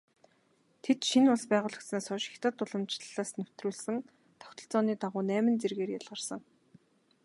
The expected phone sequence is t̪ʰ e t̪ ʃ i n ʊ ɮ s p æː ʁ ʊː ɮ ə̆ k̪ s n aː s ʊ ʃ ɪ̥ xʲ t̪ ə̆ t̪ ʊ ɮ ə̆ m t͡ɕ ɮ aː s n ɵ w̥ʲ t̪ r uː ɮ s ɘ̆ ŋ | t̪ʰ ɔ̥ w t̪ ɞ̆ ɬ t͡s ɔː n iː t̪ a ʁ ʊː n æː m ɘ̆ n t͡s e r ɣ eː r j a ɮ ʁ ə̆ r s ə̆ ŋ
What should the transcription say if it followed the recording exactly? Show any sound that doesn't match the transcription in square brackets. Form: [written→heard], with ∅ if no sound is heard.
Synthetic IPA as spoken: t̪ʰ e t̪ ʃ i n ʊ ɮ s p æː ʁ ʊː ɮ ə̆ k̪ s n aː s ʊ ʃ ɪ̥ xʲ t̪ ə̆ t̪ ʊ ɮ ə̆ m t͡ɕ ɮ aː s n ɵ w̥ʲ t̪ r uː ɮ s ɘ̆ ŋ | t̪ʰ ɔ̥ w t̪ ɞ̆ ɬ t͡s ɔː n iː t̪ a ʁ ʊː n æː m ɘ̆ n t͡s e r ɣ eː r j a ɮ ʁ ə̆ r s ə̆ ŋ